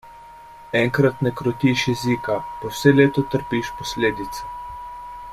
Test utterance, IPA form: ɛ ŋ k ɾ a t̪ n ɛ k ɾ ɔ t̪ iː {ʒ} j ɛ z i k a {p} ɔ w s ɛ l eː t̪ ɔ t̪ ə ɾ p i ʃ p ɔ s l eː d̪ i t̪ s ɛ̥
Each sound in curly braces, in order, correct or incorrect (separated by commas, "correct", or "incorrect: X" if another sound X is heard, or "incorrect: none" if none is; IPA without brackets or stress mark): incorrect: ʃ, correct